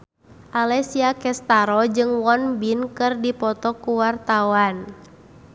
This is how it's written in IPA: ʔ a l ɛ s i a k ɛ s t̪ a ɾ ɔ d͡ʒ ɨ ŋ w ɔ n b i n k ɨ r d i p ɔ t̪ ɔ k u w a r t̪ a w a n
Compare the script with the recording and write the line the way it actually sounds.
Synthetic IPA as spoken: ʔ a l ɛ s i a k ɛ s t̪ a ɾ ɔ d͡ʒ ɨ ŋ w ɔ n b i n k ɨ r d i p ɔ t̪ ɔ k u w a r t̪ a w a n